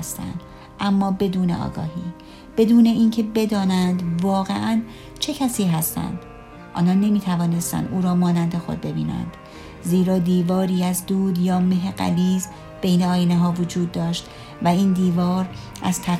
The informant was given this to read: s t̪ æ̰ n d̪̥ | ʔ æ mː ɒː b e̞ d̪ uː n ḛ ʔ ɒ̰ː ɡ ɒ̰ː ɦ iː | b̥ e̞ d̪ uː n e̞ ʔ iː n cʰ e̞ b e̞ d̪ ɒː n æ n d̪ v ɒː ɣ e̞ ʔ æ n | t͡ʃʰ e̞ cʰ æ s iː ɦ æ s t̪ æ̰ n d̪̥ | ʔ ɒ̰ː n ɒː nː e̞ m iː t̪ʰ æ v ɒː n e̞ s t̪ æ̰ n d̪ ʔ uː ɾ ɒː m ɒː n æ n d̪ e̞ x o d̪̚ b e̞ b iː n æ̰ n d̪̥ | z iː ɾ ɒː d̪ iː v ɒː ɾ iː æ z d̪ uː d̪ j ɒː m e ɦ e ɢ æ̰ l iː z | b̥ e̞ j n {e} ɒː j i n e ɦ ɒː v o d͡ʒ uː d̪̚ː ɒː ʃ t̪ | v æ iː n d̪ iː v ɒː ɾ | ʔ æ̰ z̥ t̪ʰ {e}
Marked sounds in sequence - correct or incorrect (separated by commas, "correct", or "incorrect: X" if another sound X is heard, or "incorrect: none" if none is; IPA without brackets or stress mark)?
correct, incorrect: æ